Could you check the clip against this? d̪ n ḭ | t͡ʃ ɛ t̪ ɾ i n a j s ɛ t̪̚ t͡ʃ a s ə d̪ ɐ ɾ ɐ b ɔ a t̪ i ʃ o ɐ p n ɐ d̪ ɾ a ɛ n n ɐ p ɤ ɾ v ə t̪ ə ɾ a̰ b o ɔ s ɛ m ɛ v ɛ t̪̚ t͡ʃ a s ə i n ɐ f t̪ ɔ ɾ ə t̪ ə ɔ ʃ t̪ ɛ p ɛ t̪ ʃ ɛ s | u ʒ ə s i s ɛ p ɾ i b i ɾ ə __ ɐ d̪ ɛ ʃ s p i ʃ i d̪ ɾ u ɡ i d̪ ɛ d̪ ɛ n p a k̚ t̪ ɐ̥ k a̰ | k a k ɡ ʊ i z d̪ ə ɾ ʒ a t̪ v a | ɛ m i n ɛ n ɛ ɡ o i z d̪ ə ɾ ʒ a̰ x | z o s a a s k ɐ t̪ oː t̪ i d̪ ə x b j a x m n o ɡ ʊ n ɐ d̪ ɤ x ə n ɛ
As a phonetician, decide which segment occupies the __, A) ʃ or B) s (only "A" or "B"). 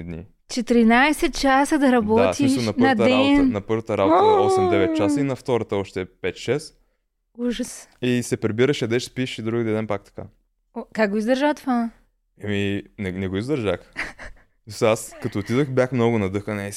A